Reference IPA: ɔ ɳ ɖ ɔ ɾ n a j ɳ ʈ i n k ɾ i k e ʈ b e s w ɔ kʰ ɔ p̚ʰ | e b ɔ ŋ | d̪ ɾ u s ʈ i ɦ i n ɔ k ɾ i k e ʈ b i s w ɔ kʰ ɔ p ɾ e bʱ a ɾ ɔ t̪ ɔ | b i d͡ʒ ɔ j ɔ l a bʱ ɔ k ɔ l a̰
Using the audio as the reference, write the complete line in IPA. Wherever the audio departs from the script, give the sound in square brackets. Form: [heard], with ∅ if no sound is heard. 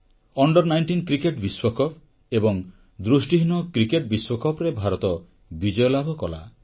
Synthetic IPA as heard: ɔ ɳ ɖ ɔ ɾ n a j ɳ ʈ i n k ɾ i k e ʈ b [i] s w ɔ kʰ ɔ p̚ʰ | e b ɔ ŋ | d̪ ɾ u s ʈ i ɦ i n ɔ k ɾ i k e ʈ b i s w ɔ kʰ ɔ p ɾ e bʱ a ɾ ɔ t̪ ɔ | b i d͡ʒ ɔ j ɔ l a bʱ ɔ k ɔ l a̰